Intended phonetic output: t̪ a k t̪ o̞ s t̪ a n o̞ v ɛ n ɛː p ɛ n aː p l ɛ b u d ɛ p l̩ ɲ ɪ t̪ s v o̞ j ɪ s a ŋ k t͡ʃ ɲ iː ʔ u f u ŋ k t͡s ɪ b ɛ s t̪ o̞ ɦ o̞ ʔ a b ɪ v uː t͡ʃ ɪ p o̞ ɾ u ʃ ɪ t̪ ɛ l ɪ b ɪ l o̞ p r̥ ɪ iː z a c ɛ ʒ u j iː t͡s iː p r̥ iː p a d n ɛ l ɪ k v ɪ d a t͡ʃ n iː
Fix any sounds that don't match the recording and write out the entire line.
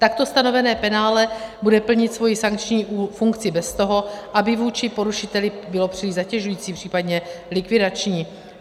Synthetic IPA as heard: t̪ a k t̪ o̞ s t̪ a n o̞ v ɛ n ɛː p ɛ n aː l ɛ b u d ɛ p l̩ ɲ ɪ t̪ s v o̞ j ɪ s a ŋ k t͡ʃ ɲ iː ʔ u f u ŋ k t͡s ɪ b ɛ s t̪ o̞ ɦ o̞ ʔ a b ɪ v uː t͡ʃ ɪ p o̞ ɾ u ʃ ɪ t̪ ɛ l ɪ b ɪ l o̞ p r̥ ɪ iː z a c ɛ ʒ u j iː t͡s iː p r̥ iː p a d ɲ ɛ l ɪ k v ɪ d a t͡ʃ ɲ iː